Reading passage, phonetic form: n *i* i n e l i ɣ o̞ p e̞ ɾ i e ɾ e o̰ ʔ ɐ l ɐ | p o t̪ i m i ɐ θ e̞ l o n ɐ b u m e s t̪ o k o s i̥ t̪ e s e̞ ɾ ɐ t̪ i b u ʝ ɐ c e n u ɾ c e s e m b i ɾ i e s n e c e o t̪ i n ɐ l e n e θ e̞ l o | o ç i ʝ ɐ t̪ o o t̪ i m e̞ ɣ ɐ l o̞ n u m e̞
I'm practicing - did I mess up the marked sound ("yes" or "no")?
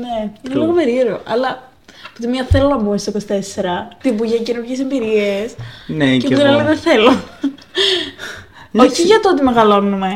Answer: yes